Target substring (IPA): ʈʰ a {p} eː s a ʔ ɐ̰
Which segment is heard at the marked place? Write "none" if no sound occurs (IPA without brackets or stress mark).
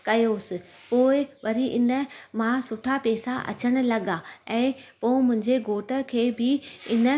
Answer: p